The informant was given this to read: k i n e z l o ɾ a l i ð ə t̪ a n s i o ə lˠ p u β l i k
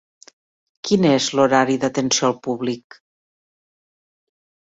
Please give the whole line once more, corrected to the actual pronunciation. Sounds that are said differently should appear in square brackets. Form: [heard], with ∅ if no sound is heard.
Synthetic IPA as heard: k i n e z l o ɾ a [ɾ] i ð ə t̪ [ə] n s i o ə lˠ p u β l i k

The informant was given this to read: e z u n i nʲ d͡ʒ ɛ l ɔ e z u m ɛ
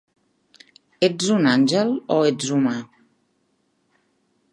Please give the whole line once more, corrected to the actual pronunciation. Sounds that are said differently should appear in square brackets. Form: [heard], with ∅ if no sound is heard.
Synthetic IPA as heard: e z u n [a] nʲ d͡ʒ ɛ l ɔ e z u m [a]

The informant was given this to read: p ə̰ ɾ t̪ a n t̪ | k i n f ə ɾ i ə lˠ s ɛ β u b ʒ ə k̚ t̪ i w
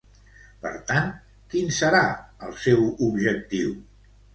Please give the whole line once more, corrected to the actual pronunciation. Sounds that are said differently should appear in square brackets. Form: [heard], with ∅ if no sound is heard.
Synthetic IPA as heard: p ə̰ ɾ t̪ a n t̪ | k i n [s] ə ɾ [a] ə lˠ s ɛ [w] u b ʒ ə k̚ t̪ i w

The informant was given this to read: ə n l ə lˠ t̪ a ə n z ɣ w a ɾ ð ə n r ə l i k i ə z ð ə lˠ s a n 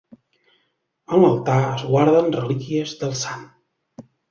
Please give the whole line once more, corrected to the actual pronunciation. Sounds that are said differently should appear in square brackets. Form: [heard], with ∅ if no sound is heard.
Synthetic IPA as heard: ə n l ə lˠ t̪ a ə [∅] z ɣ w a ɾ ð ə n r ə l i k i ə z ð ə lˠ s a n

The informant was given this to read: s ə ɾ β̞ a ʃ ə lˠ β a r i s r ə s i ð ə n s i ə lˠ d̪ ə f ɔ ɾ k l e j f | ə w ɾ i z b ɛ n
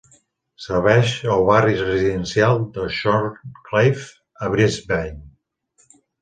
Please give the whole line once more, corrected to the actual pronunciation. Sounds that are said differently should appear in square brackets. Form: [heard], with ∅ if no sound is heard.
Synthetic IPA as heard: s ə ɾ β̞ [ɛ] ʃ ə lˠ β a r i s r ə [z] i ð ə n s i [a] lˠ d̪ ə [ʃ] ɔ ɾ k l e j f | ə [β] ɾ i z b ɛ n

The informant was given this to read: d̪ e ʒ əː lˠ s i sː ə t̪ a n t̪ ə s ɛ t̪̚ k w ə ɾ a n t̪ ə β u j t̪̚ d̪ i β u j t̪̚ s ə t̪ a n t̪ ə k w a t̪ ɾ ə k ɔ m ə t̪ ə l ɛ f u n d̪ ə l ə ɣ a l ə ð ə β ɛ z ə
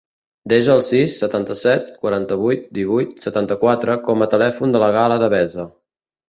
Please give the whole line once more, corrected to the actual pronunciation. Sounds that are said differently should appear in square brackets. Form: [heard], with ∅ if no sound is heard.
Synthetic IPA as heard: d̪ e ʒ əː lˠ s i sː ə t̪ a n t̪ ə s ɛ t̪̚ k w ə ɾ a n t̪ ə β u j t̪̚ d̪ i β u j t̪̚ s ə t̪ a n t̪ ə k w a t̪ ɾ ə k ɔ m ə t̪ ə l ɛ f u n d̪ ə l ə ɣ a l ə ð ə β ɛ z ə

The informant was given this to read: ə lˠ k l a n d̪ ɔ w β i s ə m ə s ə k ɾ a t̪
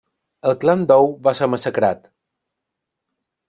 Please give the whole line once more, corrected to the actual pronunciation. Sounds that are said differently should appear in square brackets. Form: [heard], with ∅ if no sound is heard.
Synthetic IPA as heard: ə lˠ k l a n d̪ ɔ w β [a] s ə m ə s ə k ɾ a t̪

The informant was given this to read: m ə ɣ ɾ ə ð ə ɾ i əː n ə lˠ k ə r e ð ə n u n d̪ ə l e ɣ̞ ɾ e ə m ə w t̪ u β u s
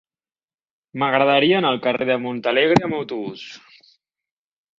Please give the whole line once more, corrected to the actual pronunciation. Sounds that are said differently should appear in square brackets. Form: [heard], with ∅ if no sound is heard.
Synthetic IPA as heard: m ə ɣ ɾ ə ð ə ɾ i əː n ə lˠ k ə r e ð ə [m] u n [t̪] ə l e ɣ̞ ɾ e ə m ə w t̪ u β u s

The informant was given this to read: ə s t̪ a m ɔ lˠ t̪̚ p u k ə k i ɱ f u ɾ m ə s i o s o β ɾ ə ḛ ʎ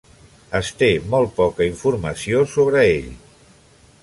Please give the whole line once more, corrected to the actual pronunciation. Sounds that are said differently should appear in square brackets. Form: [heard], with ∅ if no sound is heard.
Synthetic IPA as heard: ə s t̪ [e] m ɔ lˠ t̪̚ p [ɔ] k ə [∅] i ɱ f u ɾ m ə s i o s o β ɾ ə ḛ ʎ

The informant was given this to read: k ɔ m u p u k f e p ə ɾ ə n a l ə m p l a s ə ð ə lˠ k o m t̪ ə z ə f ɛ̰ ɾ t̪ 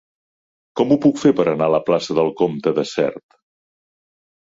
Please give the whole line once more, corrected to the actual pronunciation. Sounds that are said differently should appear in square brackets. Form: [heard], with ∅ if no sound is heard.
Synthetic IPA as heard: k ɔ m u p u k f e p ə ɾ ə n a l ə [∅] p l a s ə ð ə lˠ k o m t̪ ə [ð] ə [s] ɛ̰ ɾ t̪

